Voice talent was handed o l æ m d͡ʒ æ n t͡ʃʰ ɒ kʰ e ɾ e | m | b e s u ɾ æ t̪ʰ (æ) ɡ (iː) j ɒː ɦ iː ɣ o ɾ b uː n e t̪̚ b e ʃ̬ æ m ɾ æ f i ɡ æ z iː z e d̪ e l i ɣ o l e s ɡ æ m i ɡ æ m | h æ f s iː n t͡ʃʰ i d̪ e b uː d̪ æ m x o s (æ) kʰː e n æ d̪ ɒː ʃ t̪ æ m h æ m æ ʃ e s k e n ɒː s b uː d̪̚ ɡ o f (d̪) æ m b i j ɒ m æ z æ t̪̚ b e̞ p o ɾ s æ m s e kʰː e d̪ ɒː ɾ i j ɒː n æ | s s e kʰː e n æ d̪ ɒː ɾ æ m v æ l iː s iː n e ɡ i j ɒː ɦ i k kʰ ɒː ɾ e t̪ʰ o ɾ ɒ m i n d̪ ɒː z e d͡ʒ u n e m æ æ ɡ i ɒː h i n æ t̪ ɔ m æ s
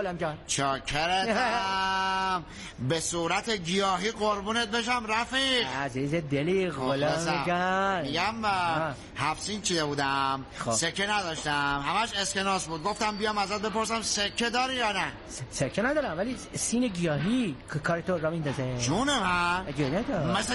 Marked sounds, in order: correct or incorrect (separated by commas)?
incorrect, incorrect, incorrect, incorrect